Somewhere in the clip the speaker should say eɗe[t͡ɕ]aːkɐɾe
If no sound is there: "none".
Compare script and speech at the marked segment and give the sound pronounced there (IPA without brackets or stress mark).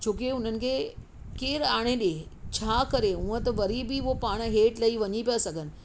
t͡ɕʰ